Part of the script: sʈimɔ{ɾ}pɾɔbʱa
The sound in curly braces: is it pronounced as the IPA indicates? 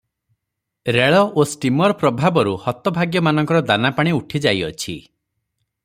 yes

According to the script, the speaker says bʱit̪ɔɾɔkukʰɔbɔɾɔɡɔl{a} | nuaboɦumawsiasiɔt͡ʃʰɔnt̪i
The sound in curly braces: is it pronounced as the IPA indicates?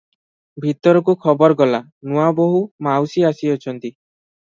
yes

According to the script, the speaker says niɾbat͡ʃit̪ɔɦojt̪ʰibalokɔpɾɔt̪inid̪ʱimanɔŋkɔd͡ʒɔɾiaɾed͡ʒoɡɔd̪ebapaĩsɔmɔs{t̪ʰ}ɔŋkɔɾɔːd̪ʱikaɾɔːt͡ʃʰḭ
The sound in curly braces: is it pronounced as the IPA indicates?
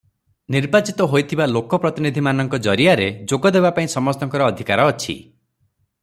no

